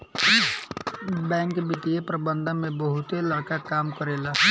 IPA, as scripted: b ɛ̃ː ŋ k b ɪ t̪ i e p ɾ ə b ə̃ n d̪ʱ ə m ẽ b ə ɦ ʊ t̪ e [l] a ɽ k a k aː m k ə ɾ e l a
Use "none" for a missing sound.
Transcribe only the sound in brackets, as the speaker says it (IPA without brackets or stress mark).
l